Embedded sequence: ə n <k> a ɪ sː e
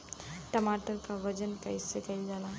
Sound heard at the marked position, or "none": k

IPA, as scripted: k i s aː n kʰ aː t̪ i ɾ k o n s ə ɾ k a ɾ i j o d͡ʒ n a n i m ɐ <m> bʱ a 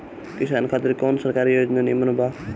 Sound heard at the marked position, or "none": n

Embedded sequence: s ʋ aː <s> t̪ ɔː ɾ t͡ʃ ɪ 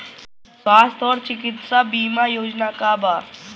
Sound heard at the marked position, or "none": s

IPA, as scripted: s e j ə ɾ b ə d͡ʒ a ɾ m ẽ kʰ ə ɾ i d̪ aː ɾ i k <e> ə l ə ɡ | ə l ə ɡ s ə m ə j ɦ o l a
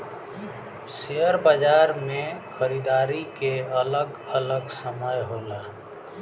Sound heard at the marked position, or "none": e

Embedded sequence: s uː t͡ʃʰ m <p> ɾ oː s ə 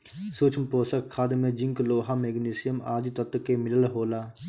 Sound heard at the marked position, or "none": p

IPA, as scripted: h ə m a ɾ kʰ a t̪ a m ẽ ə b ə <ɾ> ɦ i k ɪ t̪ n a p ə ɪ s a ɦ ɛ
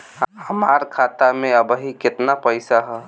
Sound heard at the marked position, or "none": none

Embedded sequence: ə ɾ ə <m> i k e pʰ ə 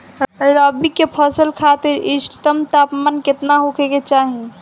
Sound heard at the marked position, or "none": b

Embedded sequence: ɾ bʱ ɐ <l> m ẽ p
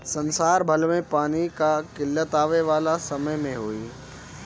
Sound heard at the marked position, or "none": l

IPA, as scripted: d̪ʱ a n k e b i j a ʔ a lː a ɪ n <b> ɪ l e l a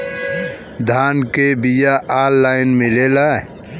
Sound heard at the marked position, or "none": m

